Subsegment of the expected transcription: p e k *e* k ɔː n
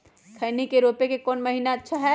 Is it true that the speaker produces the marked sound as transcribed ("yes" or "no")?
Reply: yes